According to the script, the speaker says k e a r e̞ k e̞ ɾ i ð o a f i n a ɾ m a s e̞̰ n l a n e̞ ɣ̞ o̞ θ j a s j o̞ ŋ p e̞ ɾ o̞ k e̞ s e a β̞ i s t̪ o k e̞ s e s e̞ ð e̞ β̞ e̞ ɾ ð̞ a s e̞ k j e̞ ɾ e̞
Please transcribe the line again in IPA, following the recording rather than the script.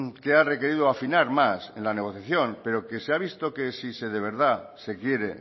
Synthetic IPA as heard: k e a r e̞ k e̞ ɾ i ð o a f i n a ɾ m a s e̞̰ n l a n e̞ ɣ̞ o̞ θ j a θ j o̞ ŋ p e̞ ɾ o̞ k e̞ s e a β̞ i s t̪ o k e̞ s i s e̞ ð e̞ β̞ e̞ ɾ ð̞ a s e̞ k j e̞ ɾ e̞